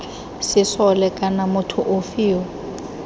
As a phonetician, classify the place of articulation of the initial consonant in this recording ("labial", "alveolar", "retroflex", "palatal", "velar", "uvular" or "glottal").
alveolar